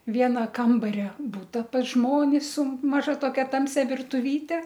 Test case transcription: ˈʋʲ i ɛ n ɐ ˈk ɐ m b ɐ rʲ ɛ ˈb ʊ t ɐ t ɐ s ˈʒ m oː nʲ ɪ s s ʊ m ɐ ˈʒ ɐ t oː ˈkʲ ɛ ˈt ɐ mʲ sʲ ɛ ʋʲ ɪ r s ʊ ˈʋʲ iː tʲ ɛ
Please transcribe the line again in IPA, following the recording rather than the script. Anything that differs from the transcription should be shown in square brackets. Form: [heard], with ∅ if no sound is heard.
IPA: ˈʋʲ i ɛ n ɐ ˈk ɐ m b ɐ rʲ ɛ ˈb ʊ t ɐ [p] ɐ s ˈʒ m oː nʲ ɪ s s ʊ m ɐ ˈʒ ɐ t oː ˈkʲ ɛ ˈt ɐ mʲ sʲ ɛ ʋʲ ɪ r [t] ʊ ˈʋʲ iː tʲ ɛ

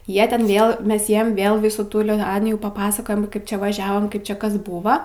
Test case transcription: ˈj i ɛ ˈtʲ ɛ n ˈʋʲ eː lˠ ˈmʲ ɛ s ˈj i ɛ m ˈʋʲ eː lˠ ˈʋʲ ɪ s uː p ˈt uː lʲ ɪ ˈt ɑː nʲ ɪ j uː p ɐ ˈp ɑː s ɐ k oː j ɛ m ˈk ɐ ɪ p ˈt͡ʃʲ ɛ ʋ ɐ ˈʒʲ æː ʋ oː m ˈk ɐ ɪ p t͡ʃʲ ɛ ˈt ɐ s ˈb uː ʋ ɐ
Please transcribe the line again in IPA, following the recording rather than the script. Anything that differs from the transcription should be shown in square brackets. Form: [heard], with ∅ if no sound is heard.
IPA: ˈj i ɛ ˈtʲ ɛ n ˈʋʲ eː lˠ ˈmʲ ɛ s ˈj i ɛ m ˈʋʲ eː lˠ ˈʋʲ ɪ s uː [∅] ˈt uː lʲ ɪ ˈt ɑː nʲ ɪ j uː p ɐ ˈp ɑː s ɐ k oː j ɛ m ˈk ɐ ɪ p ˈt͡ʃʲ ɛ ʋ ɐ ˈʒʲ æː ʋ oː m ˈk ɐ ɪ p t͡ʃʲ ɛ [ˈk] ɐ s ˈb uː ʋ ɐ

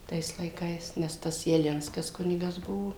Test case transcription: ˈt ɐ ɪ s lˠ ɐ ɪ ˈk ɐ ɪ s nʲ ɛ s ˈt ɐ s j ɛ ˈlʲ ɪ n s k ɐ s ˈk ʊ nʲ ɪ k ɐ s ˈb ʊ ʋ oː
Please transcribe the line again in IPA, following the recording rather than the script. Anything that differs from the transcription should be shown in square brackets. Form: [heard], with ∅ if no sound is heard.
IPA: ˈt ɐ ɪ s lˠ ɐ ɪ ˈk ɐ ɪ s nʲ ɛ s ˈt ɐ s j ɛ ˈlʲ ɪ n s k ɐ s ˈk ʊ nʲ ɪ [ɡ] ɐ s ˈb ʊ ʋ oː

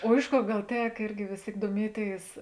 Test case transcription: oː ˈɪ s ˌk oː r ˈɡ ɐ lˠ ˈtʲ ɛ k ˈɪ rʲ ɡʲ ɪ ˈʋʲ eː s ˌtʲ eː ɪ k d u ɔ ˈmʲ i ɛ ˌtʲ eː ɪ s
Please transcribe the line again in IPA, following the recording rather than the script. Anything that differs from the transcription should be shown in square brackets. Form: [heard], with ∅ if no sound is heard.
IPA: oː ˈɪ [ʃ] ˌk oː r ˈɡ ɐ lˠ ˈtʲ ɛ k ˈɪ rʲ ɡʲ ɪ ˈʋʲ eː s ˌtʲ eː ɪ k d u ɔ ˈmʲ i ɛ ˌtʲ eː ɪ s

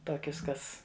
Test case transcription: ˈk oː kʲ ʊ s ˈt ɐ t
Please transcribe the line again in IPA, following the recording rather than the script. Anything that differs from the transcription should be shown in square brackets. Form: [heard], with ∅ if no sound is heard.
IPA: [ˈt] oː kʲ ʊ s [ˈk] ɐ [s]

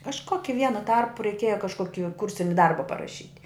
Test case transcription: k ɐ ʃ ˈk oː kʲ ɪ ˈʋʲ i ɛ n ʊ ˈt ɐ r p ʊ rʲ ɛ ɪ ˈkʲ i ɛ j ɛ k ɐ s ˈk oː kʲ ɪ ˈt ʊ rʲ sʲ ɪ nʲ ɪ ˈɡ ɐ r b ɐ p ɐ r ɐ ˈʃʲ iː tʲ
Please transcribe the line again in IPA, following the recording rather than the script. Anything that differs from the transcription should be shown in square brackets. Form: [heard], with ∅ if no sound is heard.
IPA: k ɐ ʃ ˈk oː kʲ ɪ ˈʋʲ i ɛ n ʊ ˈt ɐ r p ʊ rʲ ɛ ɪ ˈkʲ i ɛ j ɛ k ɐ [ʃ] ˈk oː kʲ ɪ [ˈk] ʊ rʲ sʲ ɪ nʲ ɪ [ˈd] ɐ r b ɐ p ɐ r ɐ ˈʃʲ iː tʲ

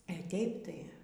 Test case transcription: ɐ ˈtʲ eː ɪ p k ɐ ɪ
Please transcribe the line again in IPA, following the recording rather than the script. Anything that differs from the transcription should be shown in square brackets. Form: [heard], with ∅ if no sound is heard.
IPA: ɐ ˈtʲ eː ɪ p [t] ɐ ɪ

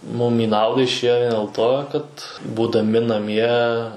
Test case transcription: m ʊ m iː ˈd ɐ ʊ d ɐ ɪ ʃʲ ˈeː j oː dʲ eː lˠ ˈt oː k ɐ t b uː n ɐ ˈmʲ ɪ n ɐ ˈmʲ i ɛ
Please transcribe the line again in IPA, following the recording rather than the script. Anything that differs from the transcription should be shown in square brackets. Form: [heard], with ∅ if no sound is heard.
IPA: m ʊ m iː [ˈn] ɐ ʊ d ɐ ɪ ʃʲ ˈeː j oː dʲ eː lˠ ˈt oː k ɐ t b uː [d] ɐ ˈmʲ ɪ n ɐ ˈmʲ i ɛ

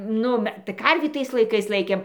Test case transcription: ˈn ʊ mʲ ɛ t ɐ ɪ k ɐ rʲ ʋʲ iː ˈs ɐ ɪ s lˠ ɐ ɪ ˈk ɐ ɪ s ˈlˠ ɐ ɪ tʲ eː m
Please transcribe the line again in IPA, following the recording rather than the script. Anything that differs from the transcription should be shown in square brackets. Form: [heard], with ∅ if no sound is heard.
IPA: ˈn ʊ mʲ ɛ t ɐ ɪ k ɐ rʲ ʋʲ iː [ˈt] ɐ ɪ s lˠ ɐ ɪ ˈk ɐ ɪ s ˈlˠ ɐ ɪ [kʲ] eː m

